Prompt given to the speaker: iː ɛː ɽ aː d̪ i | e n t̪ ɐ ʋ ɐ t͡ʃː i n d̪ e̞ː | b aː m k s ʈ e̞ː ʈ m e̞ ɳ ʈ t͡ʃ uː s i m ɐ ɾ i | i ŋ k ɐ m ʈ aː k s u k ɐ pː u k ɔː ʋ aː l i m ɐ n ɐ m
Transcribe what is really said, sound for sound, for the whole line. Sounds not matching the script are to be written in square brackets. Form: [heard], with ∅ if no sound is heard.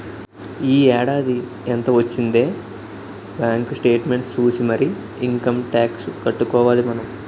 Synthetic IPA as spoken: iː ɛː ɽ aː d̪ i | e n t̪ ɐ ʋ ɐ t͡ʃː i n d̪ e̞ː | b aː [ŋ] k s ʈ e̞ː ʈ m e̞ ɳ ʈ t͡ʃ uː s i m ɐ ɾ i | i ŋ k ɐ m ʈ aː k s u k ɐ [ʈː] u k ɔː ʋ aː l i m ɐ n ɐ m